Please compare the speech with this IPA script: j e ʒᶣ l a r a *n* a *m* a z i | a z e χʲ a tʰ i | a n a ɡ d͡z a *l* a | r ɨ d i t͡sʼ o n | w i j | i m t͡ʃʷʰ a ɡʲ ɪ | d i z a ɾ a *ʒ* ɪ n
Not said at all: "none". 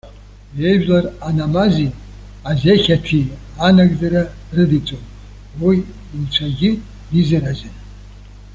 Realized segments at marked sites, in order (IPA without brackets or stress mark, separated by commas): n, m, ɾ, z